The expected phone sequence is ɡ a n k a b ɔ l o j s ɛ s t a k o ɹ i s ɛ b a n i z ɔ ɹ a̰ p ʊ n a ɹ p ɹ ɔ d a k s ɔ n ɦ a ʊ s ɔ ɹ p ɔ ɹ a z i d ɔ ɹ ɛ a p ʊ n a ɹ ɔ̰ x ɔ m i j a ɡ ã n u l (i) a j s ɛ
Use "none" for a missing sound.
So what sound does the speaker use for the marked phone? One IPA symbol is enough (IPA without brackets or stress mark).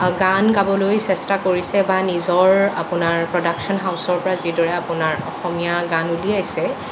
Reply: i